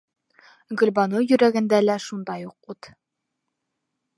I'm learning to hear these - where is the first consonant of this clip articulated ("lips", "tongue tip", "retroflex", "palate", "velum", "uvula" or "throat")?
velum